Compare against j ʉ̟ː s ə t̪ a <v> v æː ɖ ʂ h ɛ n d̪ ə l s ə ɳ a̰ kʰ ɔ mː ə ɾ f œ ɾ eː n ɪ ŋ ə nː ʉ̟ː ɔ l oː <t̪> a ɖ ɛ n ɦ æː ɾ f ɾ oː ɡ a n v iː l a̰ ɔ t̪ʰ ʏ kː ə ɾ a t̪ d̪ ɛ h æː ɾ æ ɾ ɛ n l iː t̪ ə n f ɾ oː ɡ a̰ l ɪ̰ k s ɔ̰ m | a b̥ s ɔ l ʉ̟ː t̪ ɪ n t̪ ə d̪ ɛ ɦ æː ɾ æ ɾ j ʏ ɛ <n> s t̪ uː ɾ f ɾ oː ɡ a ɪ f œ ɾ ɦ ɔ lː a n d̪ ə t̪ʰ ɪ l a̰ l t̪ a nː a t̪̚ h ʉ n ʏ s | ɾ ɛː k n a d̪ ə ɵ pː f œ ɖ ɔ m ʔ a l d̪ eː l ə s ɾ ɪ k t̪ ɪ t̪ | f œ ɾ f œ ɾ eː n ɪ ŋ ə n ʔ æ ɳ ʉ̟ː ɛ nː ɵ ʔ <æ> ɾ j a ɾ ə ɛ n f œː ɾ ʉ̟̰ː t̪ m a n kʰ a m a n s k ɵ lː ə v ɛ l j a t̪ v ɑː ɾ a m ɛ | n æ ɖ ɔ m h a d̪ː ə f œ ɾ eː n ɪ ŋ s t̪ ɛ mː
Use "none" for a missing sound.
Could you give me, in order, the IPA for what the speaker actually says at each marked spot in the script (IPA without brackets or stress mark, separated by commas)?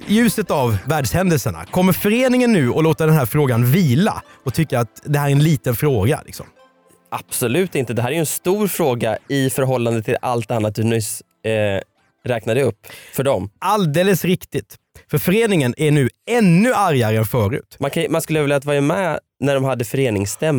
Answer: v, t̪, n, a